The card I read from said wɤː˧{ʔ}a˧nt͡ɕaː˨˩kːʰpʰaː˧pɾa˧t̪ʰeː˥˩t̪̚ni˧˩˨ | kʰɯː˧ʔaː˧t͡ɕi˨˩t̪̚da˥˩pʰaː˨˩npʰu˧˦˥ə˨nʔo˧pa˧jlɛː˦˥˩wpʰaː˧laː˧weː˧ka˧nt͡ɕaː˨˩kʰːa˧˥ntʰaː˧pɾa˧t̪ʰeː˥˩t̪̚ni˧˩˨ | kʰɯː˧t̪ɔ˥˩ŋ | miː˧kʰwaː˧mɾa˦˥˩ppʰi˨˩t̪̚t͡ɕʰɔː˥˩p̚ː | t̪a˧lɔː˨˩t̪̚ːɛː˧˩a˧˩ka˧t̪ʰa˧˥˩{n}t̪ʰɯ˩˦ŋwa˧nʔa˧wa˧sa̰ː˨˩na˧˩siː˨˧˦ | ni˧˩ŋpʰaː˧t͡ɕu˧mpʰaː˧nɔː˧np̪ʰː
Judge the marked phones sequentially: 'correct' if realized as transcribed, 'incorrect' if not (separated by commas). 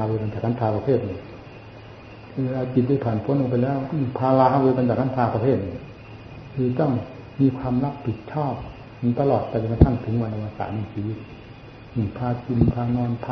incorrect, incorrect